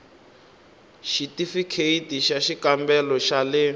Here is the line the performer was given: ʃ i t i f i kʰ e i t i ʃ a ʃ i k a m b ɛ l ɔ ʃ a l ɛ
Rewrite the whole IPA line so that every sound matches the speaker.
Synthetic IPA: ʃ i t i f i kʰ e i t i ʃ a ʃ i k a m b ɛ l ɔ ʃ a l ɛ